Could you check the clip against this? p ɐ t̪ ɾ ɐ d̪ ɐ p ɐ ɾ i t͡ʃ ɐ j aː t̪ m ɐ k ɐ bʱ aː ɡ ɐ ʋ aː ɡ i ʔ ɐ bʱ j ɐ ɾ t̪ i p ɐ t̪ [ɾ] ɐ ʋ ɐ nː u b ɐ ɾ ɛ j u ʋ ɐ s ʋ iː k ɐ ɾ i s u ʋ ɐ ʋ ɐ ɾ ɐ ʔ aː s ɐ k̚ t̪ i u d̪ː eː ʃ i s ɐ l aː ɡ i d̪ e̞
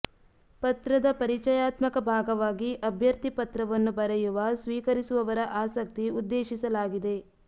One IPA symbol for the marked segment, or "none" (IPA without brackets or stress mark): ɾ